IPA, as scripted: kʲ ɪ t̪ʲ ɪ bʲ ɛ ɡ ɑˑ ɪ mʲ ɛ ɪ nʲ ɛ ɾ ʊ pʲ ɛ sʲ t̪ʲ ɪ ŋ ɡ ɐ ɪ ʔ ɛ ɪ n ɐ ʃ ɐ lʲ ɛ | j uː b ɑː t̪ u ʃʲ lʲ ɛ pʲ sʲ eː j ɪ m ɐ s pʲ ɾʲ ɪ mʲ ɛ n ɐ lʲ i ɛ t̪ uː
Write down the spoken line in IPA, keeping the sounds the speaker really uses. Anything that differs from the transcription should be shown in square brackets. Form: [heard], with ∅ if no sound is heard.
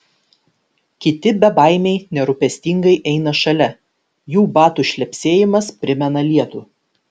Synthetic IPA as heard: kʲ ɪ t̪ʲ ɪ bʲ ɛ [b] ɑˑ ɪ mʲ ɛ ɪ nʲ ɛ ɾ ʊ pʲ ɛ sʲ t̪ʲ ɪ ŋ ɡ ɐ ɪ ʔ ɛ ɪ n ɐ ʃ ɐ lʲ ɛ | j uː b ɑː t̪ u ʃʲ lʲ ɛ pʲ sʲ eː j ɪ m ɐ s pʲ ɾʲ ɪ mʲ ɛ n ɐ lʲ i ɛ t̪ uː